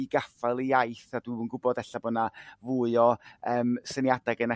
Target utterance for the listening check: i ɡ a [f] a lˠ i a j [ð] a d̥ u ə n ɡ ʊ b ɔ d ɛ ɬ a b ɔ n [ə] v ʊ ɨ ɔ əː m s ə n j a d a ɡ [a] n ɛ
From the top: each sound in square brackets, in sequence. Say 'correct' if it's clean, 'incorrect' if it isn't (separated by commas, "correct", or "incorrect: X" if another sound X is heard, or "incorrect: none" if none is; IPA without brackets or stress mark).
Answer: correct, incorrect: θ, incorrect: a, incorrect: ə